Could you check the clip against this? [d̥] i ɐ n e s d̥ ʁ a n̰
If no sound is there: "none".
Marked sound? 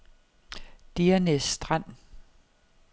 d̥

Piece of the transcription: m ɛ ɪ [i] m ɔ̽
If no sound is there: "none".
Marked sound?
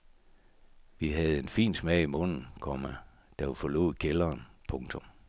i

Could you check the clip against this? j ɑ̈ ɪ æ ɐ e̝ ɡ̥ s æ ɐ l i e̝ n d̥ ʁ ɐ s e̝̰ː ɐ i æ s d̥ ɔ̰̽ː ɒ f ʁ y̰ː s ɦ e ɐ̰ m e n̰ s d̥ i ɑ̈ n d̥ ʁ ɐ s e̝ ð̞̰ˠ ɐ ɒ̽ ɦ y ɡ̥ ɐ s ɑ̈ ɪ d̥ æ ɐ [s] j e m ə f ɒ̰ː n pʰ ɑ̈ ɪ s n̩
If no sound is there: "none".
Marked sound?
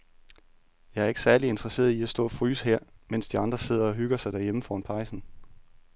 none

